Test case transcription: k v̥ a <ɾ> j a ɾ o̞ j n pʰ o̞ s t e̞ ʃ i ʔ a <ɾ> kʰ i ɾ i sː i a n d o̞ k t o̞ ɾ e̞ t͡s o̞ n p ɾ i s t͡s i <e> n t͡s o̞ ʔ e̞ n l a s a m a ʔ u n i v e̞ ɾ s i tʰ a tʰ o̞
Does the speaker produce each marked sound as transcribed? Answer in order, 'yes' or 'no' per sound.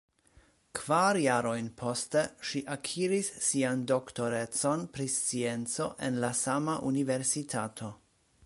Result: yes, no, yes

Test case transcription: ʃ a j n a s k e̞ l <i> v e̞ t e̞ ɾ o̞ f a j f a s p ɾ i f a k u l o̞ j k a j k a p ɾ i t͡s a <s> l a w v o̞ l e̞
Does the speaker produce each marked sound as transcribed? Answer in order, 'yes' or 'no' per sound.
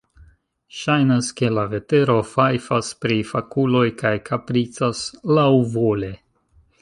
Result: no, yes

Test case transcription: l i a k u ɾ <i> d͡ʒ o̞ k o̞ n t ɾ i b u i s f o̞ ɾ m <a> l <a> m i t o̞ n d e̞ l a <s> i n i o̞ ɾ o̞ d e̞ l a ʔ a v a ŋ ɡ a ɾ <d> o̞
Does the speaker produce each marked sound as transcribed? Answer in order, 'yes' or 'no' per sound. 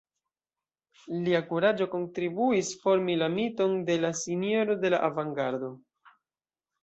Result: no, no, yes, yes, yes

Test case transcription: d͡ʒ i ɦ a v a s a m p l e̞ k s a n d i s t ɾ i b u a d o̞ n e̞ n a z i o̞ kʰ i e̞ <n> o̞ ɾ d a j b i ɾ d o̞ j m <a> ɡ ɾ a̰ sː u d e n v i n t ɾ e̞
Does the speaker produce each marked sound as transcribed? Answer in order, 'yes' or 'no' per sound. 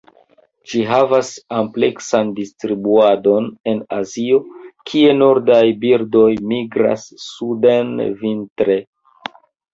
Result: yes, no

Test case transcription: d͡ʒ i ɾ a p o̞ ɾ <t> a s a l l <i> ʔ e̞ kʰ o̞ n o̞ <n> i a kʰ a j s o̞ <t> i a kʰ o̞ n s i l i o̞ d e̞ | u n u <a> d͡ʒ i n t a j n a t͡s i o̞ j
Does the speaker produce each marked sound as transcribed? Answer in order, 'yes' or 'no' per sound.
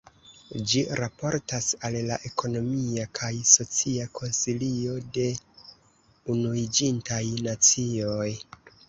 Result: yes, no, no, no, no

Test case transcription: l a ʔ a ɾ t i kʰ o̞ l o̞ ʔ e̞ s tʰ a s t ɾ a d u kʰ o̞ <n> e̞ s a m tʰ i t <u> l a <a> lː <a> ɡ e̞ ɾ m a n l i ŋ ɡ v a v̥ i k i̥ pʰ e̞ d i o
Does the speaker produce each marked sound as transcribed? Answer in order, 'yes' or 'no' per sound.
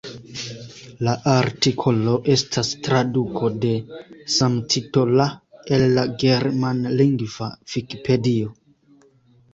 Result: no, no, no, yes

